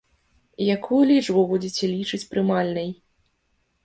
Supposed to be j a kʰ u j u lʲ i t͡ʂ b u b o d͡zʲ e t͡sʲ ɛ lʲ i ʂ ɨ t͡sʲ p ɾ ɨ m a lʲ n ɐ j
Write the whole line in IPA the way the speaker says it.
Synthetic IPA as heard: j a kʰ u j u lʲ i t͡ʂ b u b u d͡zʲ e t͡sʲ ɛ lʲ i t͡ʂ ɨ t͡sʲ p ɾ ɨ m a lʲ n ɐ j